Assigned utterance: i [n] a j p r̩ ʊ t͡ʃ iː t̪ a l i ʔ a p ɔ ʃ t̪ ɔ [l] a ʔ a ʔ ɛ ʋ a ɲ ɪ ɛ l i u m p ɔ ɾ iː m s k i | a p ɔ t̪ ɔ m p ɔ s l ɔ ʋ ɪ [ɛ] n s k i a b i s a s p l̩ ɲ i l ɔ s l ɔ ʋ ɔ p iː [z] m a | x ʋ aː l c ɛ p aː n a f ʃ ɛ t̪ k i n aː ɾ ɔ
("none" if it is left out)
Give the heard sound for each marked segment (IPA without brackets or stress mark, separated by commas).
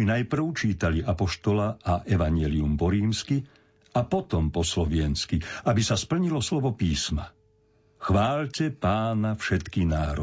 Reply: n, l, ɛ, s